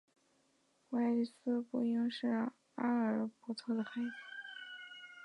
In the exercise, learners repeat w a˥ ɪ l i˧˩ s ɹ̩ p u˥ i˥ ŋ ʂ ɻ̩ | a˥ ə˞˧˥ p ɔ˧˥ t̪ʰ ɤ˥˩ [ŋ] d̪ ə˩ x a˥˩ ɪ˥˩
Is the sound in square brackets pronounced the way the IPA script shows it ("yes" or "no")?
no